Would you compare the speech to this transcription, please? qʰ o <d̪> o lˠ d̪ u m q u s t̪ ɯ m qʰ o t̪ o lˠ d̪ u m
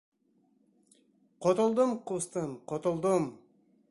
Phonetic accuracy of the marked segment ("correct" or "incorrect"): incorrect